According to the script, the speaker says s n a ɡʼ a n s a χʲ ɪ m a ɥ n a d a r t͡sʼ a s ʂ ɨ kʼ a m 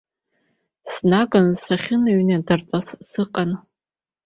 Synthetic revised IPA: s n a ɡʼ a n s a χʲ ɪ n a ɥ n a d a r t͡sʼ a s s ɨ qʼ a n